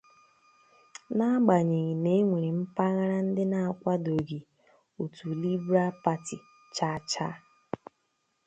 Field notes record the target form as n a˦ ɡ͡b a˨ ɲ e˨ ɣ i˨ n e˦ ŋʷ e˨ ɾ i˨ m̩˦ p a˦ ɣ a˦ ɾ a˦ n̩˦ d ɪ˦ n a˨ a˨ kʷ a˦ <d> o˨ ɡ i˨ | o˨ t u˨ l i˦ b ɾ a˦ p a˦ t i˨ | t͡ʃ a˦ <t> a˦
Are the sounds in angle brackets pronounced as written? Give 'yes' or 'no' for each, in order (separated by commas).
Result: yes, no